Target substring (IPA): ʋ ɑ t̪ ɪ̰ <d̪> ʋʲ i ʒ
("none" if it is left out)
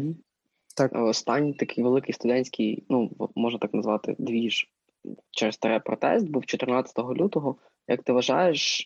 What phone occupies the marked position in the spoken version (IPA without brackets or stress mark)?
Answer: d̪